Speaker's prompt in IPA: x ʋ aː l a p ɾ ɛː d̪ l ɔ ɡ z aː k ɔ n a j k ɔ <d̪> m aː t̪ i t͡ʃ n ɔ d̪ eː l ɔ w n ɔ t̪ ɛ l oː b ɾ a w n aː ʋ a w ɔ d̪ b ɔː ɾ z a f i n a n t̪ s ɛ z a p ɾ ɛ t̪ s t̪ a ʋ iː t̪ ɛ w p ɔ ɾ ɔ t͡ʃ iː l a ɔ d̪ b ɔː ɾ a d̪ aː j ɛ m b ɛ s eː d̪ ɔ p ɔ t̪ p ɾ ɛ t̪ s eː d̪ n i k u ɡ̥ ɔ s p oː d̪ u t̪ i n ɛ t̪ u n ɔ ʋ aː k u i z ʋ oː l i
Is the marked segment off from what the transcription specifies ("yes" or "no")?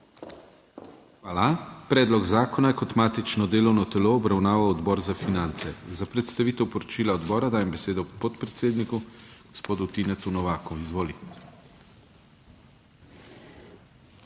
yes